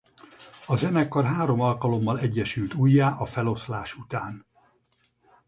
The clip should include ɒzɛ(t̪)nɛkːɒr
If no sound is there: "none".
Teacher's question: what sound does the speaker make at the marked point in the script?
none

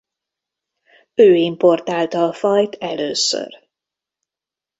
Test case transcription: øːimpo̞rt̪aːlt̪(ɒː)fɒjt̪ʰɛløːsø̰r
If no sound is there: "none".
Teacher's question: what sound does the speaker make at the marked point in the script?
ɒː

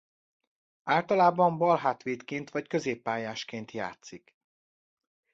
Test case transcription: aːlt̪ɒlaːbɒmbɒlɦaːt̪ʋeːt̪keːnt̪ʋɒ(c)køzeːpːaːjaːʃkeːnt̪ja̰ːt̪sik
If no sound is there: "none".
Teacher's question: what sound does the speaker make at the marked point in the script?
c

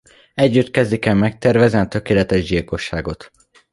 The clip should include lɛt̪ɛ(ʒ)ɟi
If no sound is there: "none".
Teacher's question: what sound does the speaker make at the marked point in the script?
ʒ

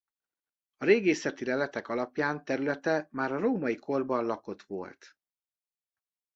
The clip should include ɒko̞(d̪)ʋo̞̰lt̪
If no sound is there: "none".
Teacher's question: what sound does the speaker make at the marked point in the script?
t̪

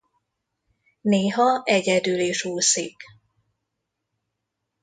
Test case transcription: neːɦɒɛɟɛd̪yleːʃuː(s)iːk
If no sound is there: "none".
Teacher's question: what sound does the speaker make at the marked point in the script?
s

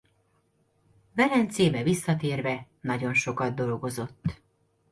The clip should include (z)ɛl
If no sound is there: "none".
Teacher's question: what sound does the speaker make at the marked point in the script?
v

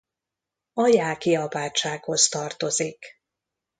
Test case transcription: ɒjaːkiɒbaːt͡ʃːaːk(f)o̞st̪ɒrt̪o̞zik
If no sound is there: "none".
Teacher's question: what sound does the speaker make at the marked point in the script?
h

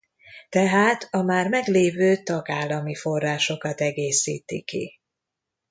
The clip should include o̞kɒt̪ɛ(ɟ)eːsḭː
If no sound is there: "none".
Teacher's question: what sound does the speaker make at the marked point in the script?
ɡ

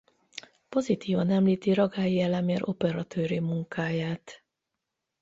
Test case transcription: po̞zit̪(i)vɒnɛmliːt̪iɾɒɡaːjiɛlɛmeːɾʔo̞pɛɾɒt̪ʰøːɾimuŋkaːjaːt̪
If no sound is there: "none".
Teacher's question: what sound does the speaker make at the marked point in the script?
iː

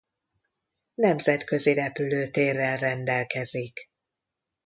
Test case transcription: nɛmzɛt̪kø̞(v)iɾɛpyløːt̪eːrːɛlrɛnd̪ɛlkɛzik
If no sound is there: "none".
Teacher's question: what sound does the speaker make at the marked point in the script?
z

